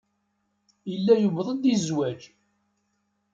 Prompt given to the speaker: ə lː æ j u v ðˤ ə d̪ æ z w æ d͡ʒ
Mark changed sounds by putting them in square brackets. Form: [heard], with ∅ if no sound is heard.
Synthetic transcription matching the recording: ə lː æ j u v ðˤ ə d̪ [i] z w æ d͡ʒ